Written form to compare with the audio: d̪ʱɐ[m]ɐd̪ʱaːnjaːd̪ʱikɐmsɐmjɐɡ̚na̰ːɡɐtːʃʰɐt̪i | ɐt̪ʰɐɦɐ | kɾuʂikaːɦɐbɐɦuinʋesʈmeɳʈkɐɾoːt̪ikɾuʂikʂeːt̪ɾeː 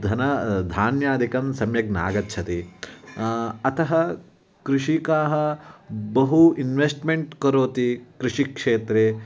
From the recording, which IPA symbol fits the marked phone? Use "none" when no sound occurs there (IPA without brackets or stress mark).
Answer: n